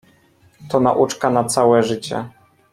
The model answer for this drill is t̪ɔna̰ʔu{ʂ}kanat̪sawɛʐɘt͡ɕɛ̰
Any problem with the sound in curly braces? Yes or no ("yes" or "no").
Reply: yes